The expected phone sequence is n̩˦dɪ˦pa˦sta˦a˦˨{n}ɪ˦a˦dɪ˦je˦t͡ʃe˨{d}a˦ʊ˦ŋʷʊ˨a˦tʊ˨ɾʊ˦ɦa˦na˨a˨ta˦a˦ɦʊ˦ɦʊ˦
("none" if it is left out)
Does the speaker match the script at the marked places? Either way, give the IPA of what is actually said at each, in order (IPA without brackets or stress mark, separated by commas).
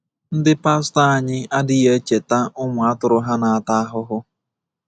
ɲ, t